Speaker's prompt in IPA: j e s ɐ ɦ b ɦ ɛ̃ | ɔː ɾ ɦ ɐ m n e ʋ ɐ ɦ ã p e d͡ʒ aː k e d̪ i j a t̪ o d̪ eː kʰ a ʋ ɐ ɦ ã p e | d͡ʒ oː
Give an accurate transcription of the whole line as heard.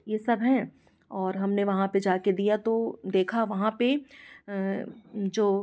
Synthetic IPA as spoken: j e s ɐ b ɦ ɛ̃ | ɔː ɾ ɦ ɐ m n e ʋ ɐ ɦ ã p e d͡ʒ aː k e d̪ i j a t̪ o d̪ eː kʰ a ʋ ɐ ɦ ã p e | d͡ʒ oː